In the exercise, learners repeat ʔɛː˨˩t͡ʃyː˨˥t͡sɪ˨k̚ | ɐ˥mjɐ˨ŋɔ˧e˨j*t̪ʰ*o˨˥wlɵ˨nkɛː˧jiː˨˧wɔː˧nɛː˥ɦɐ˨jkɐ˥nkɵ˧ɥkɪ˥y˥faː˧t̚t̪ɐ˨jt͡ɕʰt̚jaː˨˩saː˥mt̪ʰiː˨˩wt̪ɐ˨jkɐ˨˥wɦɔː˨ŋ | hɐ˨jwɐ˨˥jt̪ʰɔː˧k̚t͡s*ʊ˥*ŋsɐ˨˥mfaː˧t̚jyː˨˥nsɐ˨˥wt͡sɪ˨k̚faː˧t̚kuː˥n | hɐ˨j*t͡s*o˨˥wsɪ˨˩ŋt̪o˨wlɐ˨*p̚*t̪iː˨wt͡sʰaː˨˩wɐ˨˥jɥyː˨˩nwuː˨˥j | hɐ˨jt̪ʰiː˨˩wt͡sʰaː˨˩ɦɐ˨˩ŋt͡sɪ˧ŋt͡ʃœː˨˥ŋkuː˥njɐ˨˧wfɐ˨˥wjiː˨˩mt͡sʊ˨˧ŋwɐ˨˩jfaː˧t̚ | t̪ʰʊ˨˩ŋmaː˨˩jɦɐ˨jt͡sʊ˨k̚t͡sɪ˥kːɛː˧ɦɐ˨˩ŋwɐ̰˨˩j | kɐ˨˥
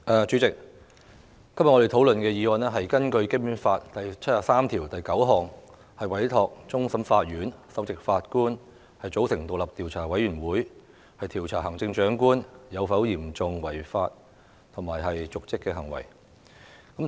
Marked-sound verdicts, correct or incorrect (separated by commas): correct, correct, correct, correct